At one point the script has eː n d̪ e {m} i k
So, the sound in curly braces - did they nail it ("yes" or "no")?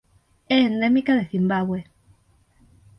yes